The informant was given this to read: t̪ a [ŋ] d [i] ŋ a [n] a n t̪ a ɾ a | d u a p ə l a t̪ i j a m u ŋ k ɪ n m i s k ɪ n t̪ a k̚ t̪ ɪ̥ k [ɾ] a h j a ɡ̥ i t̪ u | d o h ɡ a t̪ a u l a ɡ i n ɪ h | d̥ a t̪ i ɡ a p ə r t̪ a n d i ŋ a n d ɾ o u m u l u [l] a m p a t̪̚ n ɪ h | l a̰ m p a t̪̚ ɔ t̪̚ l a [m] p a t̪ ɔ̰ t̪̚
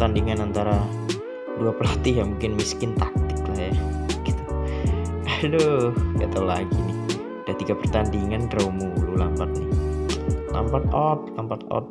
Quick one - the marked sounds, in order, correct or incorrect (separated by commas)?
incorrect, correct, correct, incorrect, correct, correct